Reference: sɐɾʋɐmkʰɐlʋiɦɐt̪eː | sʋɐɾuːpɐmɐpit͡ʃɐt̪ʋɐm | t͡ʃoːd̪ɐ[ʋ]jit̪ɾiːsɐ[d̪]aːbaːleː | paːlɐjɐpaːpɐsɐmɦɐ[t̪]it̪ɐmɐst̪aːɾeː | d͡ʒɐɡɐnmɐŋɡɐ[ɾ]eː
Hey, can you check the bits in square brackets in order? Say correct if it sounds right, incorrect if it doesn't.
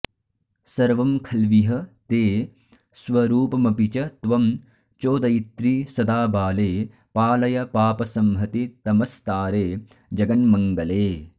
incorrect: none, correct, correct, incorrect: l

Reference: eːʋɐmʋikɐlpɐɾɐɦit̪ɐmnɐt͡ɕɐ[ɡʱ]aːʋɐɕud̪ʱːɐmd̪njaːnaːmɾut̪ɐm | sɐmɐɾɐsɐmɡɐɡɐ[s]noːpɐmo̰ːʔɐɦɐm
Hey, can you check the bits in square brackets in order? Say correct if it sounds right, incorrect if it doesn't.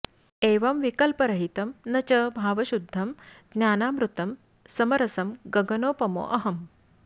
incorrect: bʱ, incorrect: none

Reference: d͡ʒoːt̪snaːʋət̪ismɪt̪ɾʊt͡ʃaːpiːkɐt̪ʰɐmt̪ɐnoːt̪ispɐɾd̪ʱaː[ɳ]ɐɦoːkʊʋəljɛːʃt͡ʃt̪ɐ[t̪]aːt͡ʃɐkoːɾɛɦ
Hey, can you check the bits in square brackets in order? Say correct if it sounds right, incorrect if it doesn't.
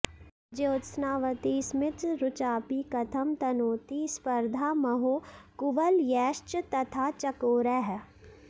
incorrect: m, incorrect: t̪ʰ

